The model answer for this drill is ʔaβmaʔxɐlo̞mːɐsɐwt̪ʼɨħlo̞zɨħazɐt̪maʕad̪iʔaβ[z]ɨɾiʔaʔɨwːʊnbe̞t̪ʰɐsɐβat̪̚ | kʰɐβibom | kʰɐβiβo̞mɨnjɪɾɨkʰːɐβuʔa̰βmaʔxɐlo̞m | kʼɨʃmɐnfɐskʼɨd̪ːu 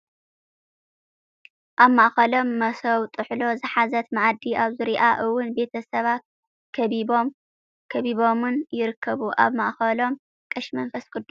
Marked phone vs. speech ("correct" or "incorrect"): correct